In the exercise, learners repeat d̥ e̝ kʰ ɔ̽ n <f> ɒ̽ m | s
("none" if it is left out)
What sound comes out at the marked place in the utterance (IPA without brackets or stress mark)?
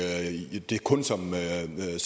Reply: s